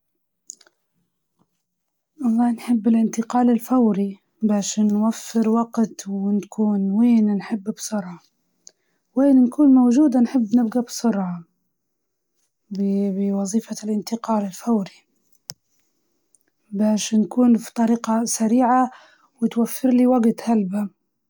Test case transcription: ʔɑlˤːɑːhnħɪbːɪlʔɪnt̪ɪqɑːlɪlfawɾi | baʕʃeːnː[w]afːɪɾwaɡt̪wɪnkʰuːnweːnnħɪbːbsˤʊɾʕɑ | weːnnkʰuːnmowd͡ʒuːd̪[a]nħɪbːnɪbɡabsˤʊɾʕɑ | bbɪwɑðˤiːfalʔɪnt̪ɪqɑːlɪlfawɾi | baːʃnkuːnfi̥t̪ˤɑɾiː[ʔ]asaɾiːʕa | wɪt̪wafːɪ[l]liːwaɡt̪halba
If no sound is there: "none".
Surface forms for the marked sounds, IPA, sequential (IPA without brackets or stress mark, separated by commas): w, a, q, ɾ